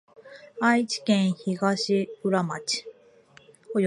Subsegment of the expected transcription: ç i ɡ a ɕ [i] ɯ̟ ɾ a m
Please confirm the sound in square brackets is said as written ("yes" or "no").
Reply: yes